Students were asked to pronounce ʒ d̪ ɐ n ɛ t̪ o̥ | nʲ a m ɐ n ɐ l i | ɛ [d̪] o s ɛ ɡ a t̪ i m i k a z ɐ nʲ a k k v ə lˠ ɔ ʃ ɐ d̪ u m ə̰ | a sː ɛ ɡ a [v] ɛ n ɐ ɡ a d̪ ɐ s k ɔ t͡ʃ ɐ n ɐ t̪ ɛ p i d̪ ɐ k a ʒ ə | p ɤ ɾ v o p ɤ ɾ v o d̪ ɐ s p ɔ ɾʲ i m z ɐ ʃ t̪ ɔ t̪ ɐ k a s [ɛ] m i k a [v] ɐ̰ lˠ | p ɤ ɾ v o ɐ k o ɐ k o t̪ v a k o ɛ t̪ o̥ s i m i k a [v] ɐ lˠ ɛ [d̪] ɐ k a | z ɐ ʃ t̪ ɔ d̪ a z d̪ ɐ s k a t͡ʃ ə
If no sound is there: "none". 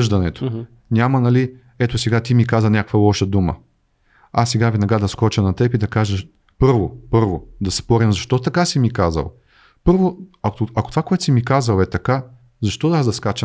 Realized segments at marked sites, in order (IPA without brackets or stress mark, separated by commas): t̪, v, i, z, z, t̪